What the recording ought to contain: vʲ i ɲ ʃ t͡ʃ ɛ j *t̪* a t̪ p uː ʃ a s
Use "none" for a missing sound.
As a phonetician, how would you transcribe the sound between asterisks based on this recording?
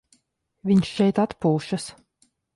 t̪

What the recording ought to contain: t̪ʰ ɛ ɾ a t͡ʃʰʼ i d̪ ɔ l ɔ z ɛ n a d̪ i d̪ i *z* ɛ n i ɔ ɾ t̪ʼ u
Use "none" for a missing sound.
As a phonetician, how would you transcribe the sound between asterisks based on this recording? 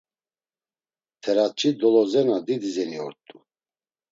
z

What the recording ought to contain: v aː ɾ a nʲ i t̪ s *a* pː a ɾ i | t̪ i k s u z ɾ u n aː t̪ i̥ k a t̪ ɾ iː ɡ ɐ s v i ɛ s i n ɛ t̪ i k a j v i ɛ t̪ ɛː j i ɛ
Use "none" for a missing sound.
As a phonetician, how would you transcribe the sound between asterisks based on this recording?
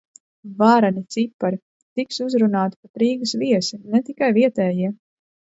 i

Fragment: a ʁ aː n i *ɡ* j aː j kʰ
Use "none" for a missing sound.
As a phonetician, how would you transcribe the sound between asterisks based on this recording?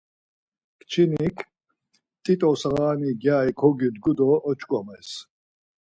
ɡ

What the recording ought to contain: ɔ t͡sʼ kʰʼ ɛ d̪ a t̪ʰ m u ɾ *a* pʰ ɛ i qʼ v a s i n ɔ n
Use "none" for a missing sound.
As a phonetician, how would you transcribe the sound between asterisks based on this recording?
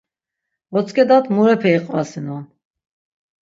ɛ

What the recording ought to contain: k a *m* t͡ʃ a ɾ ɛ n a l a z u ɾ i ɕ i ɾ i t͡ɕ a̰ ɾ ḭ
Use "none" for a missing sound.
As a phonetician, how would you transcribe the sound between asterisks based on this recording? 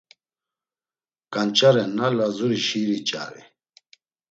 n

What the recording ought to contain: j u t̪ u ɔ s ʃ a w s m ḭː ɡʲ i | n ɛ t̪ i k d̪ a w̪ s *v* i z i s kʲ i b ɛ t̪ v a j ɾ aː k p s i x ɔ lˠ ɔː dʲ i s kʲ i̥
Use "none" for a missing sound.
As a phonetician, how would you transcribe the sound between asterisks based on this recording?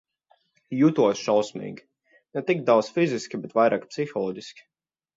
f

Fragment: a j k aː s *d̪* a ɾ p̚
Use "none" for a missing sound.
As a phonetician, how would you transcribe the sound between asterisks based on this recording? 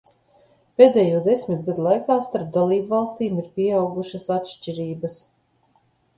t̪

